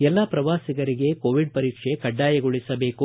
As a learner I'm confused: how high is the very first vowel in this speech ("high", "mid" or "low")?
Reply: mid